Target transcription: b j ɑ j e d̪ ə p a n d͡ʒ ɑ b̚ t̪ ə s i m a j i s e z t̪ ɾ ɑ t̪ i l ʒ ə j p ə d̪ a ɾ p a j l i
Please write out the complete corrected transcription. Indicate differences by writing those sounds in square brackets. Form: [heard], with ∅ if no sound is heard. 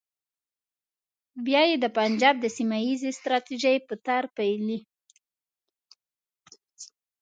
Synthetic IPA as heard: b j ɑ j e d̪ ə p a n d͡ʒ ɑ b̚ [d̪] ə s i m a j i [z] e [s] t̪ ɾ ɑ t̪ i [∅] ʒ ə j p ə [t̪] a ɾ p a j l i